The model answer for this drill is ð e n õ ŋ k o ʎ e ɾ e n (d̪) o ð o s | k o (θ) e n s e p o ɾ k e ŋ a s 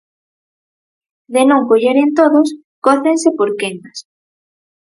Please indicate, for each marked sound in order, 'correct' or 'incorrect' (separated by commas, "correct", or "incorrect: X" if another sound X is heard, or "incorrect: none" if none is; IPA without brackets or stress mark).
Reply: incorrect: t̪, correct